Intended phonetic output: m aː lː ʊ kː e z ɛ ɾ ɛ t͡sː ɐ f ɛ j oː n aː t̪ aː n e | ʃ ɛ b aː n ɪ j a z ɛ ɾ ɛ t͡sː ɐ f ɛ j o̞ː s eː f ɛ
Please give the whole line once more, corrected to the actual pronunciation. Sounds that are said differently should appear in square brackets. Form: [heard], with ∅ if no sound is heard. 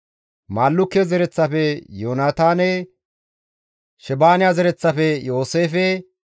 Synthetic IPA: m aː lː ʊ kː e z ɛ ɾ ɛ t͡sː ɐ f ɛ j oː n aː t̪ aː n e | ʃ ɛ b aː n ɪ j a z ɛ ɾ ɛ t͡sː ɐ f ɛ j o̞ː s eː f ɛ